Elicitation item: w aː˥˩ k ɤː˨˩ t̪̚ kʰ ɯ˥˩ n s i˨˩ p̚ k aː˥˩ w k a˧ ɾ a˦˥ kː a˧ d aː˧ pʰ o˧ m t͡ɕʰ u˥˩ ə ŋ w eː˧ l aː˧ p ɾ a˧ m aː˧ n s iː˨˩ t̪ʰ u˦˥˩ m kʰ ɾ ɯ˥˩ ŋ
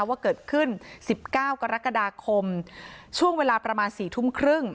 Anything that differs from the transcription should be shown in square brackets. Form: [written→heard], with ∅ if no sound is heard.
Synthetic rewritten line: w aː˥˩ k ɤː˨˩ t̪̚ kʰ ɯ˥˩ n s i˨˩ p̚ k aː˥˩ w k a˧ ɾ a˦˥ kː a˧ d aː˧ [pʰ→kʰ] o˧ m t͡ɕʰ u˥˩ ə ŋ w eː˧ l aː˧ p ɾ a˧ m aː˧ n s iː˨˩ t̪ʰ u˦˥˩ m kʰ ɾ ɯ˥˩ ŋ